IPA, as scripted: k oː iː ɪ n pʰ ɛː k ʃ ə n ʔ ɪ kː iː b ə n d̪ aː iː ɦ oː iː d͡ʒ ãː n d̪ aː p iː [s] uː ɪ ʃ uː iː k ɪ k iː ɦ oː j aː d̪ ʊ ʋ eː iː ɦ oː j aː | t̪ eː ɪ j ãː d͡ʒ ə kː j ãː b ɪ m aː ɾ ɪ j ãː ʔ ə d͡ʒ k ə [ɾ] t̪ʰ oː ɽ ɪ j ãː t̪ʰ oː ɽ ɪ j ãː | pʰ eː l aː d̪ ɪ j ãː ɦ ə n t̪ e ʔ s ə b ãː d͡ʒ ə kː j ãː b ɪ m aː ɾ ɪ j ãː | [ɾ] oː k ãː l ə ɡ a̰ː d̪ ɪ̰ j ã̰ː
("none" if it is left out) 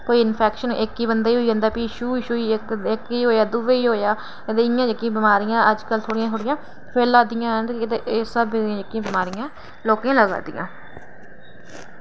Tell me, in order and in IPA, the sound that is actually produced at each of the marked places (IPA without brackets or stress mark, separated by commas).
ʃ, l, l